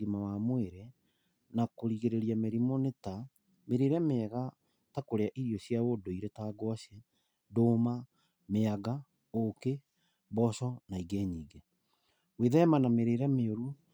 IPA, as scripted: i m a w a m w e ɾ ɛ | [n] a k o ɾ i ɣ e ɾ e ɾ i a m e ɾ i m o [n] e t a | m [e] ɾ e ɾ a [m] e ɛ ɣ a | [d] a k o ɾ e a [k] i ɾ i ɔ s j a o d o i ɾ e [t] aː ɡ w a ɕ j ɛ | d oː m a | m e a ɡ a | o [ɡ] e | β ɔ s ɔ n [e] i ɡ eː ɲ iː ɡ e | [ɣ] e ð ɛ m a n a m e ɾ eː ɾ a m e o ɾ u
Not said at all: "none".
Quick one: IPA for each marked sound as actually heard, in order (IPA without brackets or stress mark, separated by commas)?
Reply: n, n, e, m, t, ʔ, t, k, a, w